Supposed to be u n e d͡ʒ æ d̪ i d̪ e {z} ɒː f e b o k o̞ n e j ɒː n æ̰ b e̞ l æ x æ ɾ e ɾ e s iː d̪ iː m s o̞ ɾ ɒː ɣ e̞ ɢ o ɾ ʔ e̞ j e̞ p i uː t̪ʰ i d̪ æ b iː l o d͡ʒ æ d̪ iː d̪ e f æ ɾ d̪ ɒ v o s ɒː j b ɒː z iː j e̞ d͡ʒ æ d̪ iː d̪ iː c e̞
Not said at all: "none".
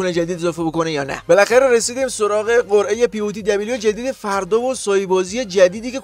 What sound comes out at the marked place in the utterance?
z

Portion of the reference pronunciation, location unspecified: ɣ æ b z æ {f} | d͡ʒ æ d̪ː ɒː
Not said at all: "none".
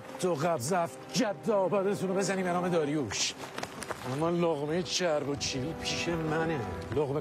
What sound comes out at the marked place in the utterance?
f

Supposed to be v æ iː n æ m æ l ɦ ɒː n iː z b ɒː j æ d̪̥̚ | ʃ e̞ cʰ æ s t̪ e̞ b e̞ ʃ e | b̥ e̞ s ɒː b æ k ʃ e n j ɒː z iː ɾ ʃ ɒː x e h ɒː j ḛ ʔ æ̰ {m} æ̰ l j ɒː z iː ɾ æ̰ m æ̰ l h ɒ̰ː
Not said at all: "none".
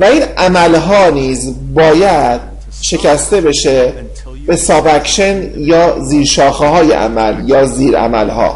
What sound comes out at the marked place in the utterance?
m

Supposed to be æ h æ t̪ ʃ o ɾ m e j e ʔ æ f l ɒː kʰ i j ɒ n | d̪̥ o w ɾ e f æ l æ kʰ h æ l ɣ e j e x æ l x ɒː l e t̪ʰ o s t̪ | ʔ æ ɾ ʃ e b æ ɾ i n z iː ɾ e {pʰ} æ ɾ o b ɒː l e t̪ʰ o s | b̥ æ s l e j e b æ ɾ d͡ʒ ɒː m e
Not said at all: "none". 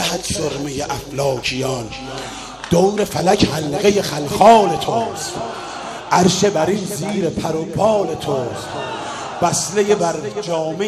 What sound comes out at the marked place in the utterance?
pʰ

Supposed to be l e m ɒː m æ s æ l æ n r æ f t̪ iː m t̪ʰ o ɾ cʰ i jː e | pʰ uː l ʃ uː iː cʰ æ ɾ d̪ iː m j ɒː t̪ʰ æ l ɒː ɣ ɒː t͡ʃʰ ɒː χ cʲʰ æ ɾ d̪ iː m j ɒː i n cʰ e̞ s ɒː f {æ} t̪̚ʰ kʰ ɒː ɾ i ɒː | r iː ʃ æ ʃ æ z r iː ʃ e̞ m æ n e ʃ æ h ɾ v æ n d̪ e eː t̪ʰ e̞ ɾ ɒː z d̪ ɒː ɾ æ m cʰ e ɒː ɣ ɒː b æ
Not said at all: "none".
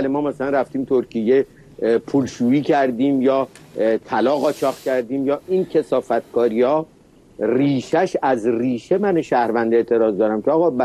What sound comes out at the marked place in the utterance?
æ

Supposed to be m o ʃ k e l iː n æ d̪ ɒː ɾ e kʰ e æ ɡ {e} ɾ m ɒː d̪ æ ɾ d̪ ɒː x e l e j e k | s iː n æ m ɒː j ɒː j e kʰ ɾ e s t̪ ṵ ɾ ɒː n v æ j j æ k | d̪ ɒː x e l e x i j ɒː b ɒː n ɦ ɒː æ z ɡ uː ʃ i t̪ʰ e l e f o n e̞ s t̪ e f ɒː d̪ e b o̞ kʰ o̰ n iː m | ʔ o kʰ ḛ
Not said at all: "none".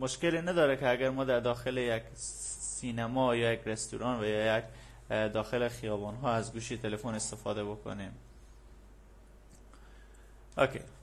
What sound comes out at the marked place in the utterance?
æ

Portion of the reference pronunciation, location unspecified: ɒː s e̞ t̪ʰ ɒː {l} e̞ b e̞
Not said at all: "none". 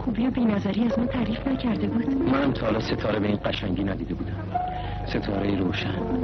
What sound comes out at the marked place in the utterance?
ɾ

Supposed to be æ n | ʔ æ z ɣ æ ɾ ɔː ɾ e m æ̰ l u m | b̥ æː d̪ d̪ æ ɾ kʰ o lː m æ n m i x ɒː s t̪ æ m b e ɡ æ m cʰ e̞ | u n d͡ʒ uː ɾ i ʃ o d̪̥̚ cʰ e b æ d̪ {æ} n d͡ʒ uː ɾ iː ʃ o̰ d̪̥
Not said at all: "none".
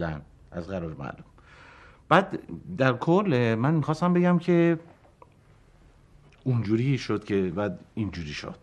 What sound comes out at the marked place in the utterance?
i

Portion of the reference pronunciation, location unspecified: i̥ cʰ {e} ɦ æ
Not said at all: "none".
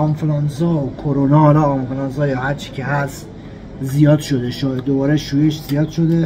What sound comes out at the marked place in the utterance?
e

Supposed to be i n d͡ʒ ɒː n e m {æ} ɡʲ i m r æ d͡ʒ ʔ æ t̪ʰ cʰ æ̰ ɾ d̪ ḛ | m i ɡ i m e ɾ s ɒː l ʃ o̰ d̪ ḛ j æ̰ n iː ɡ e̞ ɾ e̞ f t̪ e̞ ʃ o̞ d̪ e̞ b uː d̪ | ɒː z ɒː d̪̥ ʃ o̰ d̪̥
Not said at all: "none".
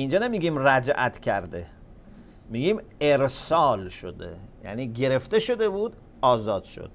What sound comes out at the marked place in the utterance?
i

